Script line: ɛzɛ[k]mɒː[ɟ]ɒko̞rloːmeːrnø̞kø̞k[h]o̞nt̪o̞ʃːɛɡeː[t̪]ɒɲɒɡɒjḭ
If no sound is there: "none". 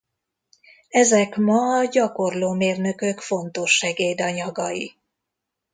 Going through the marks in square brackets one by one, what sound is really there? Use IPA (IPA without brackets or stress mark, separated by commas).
k, ɟ, f, d̪